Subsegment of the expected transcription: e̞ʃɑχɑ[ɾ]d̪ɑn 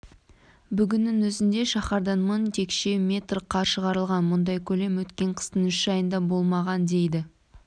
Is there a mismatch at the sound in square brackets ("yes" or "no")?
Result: no